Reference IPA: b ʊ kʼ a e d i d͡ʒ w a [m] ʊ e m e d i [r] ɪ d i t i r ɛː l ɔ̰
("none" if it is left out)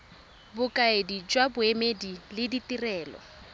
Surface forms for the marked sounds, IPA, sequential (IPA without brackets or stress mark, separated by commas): b, l